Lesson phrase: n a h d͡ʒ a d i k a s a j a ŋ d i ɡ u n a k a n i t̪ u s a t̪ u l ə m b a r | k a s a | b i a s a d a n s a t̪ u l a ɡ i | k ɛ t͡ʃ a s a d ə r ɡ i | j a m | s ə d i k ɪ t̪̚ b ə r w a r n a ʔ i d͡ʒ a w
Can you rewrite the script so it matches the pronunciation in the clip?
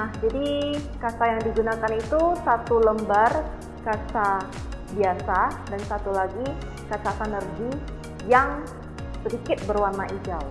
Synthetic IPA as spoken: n a h d͡ʒ a d i k a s a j a ŋ d i ɡ u n a k a n i t̪ u s a t̪ u l ə m b a r | k a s a | b i a s a d a n s a t̪ u l a ɡ i | k a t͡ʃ a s a n ə r ɡ i | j a ŋ | s ə d i k ɪ t̪̚ b ə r w a r n a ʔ i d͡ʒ a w